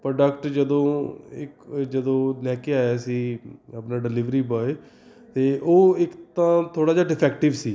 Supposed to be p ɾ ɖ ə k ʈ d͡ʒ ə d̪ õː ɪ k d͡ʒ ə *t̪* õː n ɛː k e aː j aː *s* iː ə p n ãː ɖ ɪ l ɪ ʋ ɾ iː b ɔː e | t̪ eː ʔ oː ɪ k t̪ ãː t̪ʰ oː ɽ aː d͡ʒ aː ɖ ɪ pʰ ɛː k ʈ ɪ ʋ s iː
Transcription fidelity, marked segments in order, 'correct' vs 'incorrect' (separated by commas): incorrect, correct